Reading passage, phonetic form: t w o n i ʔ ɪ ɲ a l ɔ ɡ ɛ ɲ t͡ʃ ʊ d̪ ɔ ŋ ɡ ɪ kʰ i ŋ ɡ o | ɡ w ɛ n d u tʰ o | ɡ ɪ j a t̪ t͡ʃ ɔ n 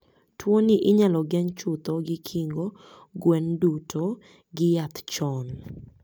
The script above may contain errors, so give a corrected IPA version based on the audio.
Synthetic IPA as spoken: t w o n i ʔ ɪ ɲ a l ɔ ɡ ɛ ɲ t͡ʃ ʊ t̪ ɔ ɡ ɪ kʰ i ŋ ɡ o | ɡ w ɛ n d u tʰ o | ɡ ɪ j a t̪ t͡ʃ ɔ n